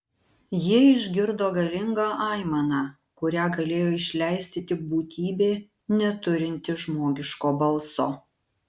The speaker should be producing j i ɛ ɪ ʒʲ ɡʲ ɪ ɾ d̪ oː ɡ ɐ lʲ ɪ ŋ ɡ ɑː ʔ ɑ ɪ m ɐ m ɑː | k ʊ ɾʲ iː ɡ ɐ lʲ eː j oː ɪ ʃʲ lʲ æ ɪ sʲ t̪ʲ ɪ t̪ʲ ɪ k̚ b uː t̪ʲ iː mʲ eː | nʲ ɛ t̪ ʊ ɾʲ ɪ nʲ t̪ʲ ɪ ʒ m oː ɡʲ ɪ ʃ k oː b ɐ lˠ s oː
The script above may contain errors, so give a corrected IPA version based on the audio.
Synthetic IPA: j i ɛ ɪ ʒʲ ɡʲ ɪ ɾ d̪ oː ɡ ɐ lʲ ɪ ŋ ɡ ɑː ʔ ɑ ɪ m ɐ n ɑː | k ʊ ɾʲ æː ɡ ɐ lʲ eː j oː ɪ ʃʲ lʲ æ ɪ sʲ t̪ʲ ɪ t̪ʲ ɪ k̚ b uː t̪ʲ iː bʲ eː | nʲ ɛ t̪ ʊ ɾʲ ɪ nʲ t̪ʲ ɪ ʒ m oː ɡʲ ɪ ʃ k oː b ɐ lˠ s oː